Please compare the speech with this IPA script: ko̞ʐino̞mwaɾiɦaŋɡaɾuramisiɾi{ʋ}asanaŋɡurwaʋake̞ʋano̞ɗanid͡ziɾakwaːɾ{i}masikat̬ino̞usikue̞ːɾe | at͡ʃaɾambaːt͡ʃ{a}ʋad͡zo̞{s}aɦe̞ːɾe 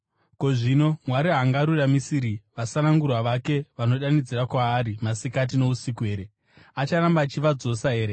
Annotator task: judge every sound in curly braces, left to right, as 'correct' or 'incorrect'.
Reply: correct, correct, incorrect, correct

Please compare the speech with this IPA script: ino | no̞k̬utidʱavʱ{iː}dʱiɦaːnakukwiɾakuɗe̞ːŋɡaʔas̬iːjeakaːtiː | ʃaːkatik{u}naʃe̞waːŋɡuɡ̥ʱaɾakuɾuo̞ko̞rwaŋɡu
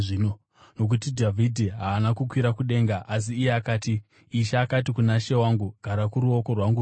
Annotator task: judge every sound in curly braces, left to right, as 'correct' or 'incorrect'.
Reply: incorrect, correct

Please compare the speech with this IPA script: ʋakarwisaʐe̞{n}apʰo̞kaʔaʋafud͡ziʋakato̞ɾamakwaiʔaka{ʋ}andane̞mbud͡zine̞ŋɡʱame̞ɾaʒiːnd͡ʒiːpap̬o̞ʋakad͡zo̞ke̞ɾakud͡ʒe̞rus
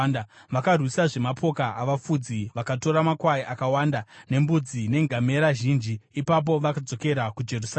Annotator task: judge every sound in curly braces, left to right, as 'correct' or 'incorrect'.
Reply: incorrect, incorrect

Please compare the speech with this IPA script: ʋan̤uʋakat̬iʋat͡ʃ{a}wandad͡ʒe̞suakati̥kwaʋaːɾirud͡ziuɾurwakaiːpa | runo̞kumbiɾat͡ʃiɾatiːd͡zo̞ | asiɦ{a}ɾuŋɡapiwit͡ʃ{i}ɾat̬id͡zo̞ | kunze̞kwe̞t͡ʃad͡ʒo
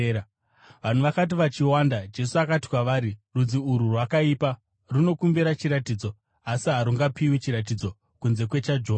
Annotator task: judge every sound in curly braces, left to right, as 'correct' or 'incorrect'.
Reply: incorrect, correct, correct

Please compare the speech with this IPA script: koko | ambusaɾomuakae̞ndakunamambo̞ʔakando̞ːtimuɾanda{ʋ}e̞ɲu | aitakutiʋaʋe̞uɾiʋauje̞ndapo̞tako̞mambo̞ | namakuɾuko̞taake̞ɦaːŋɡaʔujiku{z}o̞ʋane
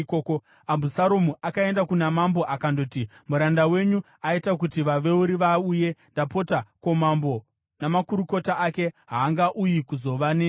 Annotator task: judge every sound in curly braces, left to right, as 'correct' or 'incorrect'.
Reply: incorrect, correct

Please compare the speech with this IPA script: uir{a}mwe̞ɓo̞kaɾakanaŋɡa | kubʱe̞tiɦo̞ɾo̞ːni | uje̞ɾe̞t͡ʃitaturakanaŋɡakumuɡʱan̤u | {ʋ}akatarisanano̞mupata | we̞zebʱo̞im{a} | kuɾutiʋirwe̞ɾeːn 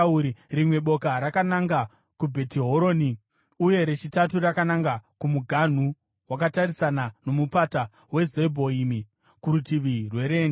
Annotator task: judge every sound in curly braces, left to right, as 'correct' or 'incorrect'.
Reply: incorrect, incorrect, incorrect

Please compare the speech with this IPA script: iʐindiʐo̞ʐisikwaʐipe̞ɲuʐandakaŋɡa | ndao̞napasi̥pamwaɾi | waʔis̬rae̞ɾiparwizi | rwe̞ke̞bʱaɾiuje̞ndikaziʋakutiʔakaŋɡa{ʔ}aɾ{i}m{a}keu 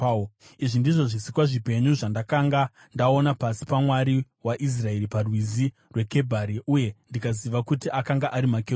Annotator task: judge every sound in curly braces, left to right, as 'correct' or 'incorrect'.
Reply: correct, correct, correct

